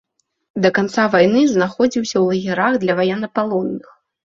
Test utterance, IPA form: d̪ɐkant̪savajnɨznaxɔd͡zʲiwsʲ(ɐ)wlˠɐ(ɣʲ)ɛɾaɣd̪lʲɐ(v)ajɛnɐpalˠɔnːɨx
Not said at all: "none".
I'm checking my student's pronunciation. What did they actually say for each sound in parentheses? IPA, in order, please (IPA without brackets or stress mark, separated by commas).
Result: ɐ, ɣʲ, v